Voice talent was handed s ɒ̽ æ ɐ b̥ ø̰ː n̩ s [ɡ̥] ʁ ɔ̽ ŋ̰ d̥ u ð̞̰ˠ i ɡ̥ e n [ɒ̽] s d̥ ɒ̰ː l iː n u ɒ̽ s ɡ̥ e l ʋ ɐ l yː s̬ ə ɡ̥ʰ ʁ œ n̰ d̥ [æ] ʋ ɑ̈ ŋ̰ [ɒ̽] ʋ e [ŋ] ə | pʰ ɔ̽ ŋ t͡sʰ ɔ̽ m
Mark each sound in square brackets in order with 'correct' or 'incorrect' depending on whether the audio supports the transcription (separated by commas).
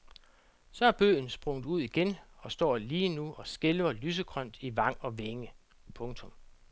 incorrect, correct, incorrect, correct, correct